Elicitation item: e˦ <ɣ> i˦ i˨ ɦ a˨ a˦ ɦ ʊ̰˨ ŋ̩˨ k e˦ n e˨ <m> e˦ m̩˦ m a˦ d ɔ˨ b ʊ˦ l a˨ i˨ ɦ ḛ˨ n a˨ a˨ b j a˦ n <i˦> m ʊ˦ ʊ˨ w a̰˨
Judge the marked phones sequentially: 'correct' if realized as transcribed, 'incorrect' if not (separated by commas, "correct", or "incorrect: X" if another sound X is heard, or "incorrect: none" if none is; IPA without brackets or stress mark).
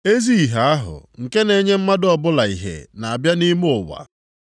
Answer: incorrect: z, incorrect: ɲ, correct